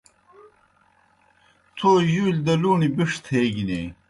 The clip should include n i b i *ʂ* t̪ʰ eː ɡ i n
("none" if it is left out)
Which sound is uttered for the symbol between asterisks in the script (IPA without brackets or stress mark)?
ʂ